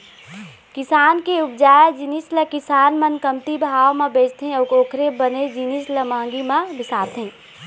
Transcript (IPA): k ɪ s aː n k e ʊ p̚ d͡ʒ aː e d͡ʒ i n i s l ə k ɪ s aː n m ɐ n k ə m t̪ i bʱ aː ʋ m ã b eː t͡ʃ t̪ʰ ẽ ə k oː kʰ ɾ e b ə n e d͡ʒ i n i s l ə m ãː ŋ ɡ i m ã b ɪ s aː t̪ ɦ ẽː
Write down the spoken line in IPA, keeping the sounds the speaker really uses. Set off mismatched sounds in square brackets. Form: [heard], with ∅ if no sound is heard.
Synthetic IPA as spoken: k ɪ s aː n k e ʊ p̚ d͡ʒ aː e d͡ʒ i n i s l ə k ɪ s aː n m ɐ n k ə m t̪ i bʱ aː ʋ m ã b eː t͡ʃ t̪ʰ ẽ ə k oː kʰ ɾ e b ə n e d͡ʒ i n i s l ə m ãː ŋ ɡ i m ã b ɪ s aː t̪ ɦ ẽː